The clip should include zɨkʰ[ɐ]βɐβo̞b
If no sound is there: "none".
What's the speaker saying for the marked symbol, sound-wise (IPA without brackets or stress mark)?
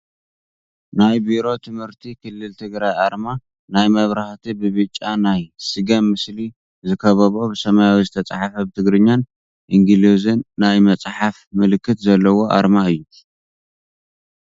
ɐ